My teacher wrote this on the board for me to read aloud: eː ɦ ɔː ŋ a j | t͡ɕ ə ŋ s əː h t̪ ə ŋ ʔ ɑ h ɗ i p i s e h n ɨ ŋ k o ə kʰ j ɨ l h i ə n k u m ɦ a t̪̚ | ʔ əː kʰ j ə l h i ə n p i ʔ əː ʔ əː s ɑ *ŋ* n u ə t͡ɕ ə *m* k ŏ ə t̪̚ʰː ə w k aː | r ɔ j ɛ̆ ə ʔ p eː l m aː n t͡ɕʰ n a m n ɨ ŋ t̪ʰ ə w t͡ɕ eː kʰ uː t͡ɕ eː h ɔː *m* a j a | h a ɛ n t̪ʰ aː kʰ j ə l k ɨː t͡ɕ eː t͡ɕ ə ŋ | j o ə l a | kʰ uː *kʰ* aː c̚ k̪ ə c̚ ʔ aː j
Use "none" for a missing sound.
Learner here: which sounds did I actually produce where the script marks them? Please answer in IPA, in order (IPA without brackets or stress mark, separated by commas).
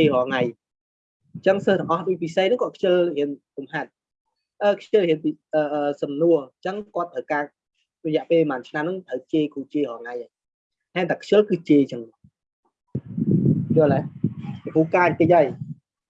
m, ŋ, ŋ, k